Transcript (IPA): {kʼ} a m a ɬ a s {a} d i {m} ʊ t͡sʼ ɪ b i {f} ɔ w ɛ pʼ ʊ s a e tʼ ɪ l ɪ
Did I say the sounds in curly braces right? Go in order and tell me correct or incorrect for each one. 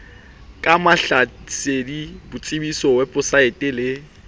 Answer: correct, incorrect, incorrect, incorrect

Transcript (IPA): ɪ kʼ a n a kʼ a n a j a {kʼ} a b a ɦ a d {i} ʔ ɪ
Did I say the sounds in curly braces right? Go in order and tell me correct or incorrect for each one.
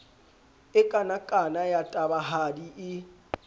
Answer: incorrect, correct

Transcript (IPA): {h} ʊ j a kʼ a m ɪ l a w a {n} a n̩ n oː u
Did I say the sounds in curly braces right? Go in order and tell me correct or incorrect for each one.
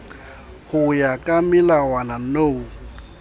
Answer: correct, correct

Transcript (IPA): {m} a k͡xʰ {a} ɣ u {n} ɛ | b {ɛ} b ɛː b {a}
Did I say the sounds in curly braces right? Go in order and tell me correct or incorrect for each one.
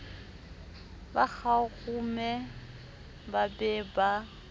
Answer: incorrect, correct, incorrect, incorrect, correct

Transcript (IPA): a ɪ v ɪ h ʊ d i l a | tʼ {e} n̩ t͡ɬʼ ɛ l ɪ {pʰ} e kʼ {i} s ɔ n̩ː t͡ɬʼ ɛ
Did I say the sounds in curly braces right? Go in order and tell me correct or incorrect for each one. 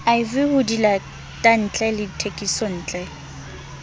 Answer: incorrect, incorrect, correct

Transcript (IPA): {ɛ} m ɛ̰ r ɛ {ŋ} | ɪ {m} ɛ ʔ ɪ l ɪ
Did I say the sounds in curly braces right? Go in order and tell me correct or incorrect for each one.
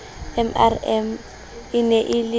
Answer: correct, incorrect, incorrect

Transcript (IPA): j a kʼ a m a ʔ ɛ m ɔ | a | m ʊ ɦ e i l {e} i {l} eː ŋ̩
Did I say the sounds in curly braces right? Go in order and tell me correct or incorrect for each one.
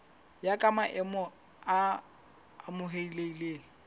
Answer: correct, correct

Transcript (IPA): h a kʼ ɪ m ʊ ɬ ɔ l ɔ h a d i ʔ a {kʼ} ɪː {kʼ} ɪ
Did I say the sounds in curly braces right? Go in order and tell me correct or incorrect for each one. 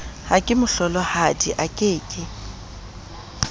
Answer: correct, correct

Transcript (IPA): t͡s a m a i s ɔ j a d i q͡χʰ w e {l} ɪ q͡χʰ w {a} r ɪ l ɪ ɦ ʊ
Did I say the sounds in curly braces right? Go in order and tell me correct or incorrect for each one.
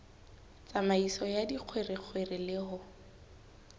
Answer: incorrect, incorrect

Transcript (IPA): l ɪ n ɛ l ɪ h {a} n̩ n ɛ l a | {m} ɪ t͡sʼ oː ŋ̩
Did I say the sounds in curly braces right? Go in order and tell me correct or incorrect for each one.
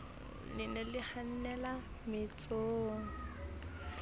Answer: correct, correct

